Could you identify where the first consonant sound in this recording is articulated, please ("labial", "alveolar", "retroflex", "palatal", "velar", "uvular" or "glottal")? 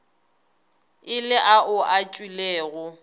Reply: alveolar